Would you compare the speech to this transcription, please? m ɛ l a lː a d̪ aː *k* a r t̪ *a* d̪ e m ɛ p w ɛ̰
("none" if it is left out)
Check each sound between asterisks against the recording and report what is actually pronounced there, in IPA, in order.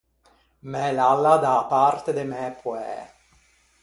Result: p, e

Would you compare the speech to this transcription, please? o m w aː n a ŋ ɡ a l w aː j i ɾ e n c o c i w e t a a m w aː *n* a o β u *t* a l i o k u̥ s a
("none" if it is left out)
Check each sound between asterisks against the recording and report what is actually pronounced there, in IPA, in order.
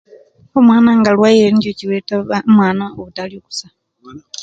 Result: n, t

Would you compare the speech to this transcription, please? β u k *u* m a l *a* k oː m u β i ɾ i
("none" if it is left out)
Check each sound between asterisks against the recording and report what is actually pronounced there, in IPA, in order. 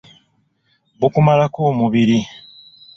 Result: u, a

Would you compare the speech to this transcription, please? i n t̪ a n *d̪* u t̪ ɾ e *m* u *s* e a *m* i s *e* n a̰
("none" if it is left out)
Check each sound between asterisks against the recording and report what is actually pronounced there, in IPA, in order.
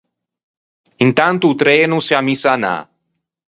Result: t̪, n, s, m, a

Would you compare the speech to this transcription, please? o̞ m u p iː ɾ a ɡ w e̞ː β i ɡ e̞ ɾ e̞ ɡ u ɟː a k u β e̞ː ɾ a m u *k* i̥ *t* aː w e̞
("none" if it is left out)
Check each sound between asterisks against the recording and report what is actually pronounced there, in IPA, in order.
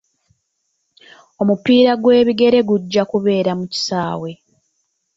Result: c, s

